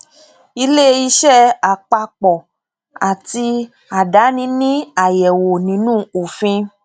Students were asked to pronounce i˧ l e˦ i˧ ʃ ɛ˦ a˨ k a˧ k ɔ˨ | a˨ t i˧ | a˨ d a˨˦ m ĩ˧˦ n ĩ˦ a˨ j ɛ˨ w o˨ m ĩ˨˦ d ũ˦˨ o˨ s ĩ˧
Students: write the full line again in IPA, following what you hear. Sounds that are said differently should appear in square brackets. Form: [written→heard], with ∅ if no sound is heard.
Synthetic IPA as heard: i˧ l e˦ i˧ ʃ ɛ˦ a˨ [k→k͡p] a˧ [k→k͡p] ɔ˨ | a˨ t i˧ | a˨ d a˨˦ [m→n] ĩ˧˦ n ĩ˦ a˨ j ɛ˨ w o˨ [m→n] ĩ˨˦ [d→n] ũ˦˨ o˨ [s→f] ĩ˧

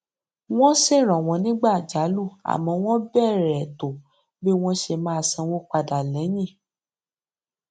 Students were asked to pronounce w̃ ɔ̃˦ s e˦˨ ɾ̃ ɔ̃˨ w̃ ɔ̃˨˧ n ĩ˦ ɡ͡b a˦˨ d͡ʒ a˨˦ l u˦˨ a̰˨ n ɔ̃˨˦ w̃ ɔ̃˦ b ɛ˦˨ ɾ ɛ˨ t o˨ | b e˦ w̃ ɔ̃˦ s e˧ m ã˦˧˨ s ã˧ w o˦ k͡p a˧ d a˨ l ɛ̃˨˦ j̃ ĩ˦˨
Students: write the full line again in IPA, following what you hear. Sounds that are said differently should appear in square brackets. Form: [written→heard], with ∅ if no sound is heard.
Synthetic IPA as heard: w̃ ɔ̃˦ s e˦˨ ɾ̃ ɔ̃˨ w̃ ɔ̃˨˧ n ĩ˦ ɡ͡b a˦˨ d͡ʒ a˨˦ l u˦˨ a̰˨ [n→m] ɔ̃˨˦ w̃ ɔ̃˦ b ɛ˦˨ ɾ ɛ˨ t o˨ | b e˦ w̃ ɔ̃˦ [s→ʃ] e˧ m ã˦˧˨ s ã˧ w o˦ k͡p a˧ d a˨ l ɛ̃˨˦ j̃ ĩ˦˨

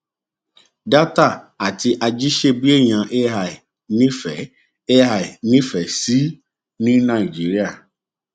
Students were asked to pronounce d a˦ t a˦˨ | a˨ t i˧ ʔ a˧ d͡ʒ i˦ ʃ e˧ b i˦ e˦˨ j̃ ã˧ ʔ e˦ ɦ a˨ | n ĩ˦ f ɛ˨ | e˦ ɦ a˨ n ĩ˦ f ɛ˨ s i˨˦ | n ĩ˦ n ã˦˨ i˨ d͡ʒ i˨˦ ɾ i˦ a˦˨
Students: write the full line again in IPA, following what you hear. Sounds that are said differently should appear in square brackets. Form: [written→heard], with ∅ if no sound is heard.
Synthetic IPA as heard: d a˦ t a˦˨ | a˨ t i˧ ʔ a˧ d͡ʒ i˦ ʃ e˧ b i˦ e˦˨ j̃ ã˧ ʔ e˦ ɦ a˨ | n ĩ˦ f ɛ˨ | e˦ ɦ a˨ n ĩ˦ f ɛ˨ s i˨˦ | n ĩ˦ n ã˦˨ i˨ d͡ʒ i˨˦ ɾ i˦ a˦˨

